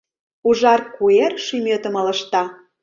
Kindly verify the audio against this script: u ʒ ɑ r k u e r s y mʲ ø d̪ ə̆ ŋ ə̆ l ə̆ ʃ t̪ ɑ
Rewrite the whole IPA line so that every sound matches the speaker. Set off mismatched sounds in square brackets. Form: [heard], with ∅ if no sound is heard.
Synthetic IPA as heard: u ʒ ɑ r k u e r [ʃ] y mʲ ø [t̪] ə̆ [m] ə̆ l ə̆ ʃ t̪ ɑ